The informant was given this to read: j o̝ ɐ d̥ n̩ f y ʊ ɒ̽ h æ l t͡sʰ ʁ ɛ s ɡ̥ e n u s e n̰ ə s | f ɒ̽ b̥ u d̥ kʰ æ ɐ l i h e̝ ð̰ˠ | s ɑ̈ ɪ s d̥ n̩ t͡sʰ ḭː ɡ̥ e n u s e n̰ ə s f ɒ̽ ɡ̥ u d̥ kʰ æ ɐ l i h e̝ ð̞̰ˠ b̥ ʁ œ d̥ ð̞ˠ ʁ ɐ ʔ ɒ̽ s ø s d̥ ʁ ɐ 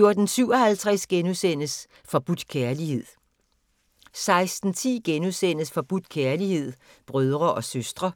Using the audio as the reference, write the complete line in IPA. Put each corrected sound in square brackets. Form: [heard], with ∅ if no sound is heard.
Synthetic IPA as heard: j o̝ ɐ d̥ n̩ [s] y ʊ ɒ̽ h æ l t͡sʰ ʁ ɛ s ɡ̥ e n u s e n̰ ə s | f ɒ̽ b̥ u d̥ kʰ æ ɐ l i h e̝ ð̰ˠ | s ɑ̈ ɪ s d̥ n̩ t͡sʰ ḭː ɡ̥ e n u s e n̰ ə s f ɒ̽ [b̥] u d̥ kʰ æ ɐ l i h e̝ ð̞̰ˠ b̥ ʁ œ [∅] ð̞ˠ ʁ ɐ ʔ ɒ̽ s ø s d̥ ʁ ɐ